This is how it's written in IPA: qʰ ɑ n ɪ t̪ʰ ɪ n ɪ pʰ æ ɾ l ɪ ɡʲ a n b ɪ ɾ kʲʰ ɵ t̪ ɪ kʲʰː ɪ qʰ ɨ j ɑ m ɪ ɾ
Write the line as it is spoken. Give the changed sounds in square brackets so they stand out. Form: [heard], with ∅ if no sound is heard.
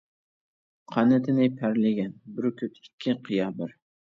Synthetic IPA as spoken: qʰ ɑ n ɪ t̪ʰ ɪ n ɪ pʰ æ ɾ l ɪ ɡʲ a n b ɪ ɾ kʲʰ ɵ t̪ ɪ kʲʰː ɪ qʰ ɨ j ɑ [b] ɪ ɾ